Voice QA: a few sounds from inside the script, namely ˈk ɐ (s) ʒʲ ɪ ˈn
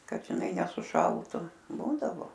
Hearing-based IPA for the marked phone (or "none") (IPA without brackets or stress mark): t